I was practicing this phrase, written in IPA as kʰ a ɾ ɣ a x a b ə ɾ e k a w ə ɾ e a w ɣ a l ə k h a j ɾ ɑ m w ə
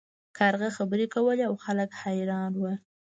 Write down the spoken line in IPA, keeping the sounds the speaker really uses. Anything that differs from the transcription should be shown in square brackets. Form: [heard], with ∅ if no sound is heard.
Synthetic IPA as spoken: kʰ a ɾ ɣ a x a b ə ɾ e k a w ə [l] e a w [x] a l ə k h a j ɾ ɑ [n] w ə

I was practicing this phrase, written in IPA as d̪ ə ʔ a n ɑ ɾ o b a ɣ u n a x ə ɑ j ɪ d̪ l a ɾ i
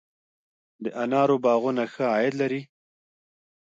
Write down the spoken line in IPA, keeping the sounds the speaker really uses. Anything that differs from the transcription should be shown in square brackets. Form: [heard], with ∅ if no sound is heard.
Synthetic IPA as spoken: d̪ ə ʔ a n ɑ ɾ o b [ɑ] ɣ u n a x ə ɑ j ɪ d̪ l a ɾ i

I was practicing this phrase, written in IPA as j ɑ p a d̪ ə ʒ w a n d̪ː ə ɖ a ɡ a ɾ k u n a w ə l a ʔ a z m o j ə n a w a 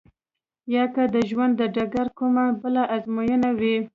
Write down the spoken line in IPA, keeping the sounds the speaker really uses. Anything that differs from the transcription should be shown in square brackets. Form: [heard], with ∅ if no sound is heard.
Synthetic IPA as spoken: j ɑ [k] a d̪ ə ʒ w a n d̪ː ə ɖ a ɡ a ɾ k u [m] a [b] ə l a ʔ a z m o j ə n a w [i]

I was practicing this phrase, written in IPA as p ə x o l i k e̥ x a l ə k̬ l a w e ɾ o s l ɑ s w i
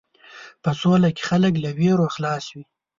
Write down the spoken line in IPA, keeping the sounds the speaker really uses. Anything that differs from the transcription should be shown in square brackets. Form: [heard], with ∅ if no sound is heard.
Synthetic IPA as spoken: p ə [s] o l [a] k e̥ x a l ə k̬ l a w e ɾ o [x] l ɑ s w i

